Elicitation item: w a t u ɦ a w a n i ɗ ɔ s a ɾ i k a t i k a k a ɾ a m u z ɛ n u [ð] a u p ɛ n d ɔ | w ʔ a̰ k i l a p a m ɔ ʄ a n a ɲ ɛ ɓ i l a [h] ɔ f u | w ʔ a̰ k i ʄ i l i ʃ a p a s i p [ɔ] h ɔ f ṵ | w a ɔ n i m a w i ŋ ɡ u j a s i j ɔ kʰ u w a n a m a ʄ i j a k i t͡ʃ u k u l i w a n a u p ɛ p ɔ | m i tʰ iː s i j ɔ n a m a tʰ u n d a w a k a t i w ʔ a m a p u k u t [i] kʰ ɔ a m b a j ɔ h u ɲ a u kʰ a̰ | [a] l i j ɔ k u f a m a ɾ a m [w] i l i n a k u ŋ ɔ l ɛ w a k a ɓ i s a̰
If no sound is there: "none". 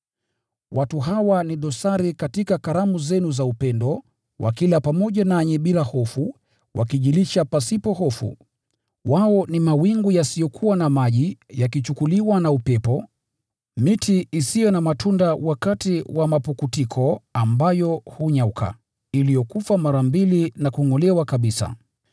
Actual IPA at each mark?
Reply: z, h, ɔ, i, i, b

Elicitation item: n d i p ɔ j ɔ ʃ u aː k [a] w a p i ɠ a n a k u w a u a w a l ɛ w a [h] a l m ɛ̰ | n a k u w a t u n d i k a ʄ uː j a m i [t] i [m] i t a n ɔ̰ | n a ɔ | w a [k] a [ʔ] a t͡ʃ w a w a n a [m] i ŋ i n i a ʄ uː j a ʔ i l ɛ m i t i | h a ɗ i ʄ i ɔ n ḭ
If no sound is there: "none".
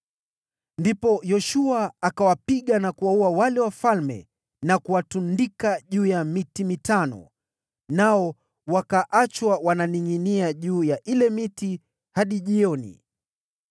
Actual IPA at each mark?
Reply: a, f, t, m, k, ʔ, n

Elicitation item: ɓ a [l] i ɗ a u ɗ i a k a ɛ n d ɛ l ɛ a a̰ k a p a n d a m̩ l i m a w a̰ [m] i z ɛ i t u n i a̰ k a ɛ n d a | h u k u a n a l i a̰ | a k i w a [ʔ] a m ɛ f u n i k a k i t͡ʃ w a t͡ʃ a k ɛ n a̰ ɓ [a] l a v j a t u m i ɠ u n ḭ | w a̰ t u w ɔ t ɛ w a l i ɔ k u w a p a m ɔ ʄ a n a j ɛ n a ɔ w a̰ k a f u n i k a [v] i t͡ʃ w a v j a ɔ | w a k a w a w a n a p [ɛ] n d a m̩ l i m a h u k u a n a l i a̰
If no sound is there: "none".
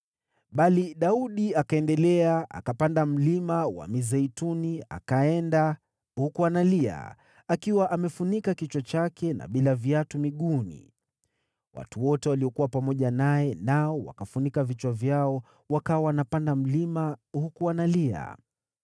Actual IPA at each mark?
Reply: l, m, ʔ, i, v, a

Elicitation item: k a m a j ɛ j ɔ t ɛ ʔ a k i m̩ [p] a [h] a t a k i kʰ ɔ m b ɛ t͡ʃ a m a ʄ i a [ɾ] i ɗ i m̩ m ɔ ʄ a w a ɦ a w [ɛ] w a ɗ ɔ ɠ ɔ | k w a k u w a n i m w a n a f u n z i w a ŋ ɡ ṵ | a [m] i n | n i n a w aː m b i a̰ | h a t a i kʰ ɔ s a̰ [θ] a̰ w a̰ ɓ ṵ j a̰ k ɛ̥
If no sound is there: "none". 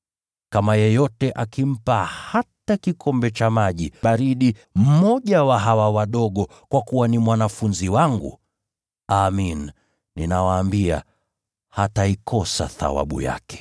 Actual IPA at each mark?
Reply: p, h, ɾ, a, m, θ

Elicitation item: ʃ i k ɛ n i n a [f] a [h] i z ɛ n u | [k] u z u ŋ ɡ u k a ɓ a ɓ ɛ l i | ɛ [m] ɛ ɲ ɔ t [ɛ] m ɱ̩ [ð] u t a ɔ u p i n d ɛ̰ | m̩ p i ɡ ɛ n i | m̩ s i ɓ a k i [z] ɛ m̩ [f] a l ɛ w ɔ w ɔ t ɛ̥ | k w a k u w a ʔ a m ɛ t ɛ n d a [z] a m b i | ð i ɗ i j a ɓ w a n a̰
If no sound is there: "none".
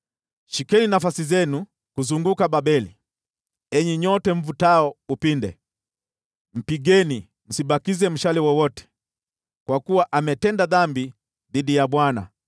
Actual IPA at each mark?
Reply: f, s, k, ɲ, ɛ, v, z, ʃ, ð

